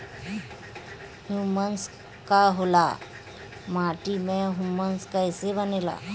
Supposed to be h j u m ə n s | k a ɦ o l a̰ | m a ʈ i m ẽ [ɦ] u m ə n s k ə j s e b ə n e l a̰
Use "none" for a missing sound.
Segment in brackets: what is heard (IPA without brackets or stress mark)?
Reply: ɦ